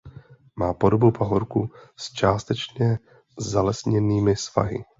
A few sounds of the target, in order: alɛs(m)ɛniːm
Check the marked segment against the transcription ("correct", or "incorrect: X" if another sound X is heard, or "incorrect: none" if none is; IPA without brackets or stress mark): incorrect: ɲ